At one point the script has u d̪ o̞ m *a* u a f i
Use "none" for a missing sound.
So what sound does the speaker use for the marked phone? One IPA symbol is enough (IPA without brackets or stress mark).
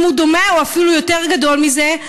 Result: e